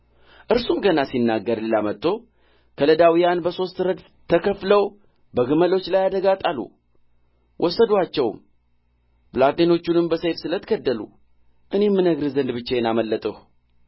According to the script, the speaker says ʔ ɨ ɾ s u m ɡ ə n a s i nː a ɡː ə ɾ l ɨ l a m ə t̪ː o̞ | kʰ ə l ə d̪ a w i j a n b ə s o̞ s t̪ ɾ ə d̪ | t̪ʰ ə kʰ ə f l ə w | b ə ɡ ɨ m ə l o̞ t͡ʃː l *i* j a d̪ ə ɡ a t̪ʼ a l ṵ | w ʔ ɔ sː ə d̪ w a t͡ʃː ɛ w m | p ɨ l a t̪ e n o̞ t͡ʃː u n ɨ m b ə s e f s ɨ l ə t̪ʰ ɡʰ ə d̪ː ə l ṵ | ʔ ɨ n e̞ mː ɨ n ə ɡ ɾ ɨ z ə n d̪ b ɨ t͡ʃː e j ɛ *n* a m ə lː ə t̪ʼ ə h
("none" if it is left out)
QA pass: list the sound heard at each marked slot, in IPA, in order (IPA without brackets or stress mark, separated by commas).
a, n